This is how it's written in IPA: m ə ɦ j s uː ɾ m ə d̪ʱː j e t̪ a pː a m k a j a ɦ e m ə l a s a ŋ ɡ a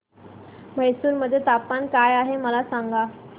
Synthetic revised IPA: m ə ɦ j s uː ɾ m ə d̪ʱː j e t̪ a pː a n k a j a ɦ e m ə l a s a ŋ ɡ a